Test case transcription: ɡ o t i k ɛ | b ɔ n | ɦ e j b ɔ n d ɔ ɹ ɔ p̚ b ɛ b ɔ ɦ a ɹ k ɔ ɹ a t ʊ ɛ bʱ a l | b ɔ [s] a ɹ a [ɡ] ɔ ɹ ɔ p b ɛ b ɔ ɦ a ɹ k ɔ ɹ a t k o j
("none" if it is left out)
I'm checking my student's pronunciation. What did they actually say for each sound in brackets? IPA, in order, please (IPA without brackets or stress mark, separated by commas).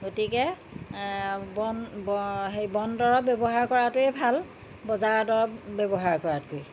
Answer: z, d